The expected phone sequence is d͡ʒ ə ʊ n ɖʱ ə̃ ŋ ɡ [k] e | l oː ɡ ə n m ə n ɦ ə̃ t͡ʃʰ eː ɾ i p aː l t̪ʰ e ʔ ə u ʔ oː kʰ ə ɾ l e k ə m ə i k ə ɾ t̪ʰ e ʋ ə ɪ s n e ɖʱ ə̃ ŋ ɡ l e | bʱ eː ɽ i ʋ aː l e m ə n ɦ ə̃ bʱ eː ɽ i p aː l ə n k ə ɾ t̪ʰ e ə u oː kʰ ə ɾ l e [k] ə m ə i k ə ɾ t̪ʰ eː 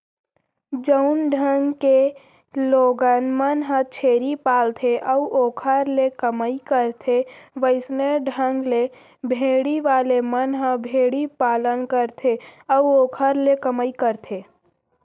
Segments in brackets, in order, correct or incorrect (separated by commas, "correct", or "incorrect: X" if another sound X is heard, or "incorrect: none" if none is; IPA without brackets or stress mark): correct, correct